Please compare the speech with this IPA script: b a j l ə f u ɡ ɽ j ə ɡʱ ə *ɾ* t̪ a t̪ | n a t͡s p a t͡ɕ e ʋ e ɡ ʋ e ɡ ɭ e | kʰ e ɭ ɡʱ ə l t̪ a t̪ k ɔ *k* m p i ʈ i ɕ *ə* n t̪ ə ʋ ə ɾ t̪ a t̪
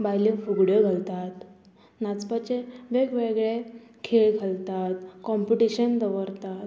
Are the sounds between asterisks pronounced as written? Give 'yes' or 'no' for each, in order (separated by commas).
no, no, yes